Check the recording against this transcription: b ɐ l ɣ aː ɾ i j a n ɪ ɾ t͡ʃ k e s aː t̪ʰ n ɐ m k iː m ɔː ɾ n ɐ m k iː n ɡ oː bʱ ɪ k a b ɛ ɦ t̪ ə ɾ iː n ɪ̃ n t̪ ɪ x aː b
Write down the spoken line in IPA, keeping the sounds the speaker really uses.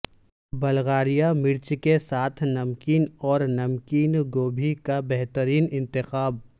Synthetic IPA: b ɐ l ɣ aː ɾ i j a m ɪ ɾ t͡ʃ k e s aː t̪ʰ n ɐ m k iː n ɔː ɾ n ɐ m k iː n ɡ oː bʱ i k a b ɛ ɦ t̪ ə ɾ iː n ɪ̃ n t̪ ɪ x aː b